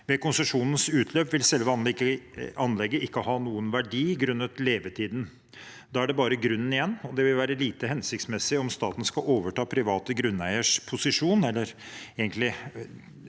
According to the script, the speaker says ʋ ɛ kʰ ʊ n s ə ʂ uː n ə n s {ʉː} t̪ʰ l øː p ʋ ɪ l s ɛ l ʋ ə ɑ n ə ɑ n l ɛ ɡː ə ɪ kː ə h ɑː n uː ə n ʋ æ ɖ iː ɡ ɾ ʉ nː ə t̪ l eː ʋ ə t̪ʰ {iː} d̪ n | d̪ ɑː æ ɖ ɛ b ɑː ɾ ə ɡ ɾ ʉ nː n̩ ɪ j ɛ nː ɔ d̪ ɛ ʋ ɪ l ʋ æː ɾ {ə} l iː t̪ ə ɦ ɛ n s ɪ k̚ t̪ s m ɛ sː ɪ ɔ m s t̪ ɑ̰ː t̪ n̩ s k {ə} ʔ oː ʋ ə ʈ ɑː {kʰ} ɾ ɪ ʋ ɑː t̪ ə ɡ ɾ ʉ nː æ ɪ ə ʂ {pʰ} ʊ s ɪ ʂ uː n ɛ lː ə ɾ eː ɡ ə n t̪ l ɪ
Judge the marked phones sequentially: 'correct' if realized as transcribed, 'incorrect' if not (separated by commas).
correct, correct, correct, incorrect, incorrect, correct